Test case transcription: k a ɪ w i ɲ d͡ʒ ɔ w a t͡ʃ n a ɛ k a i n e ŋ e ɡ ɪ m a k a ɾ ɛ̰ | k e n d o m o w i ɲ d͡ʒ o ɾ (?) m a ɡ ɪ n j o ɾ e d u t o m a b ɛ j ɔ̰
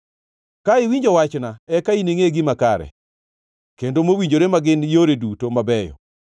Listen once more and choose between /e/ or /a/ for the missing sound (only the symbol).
e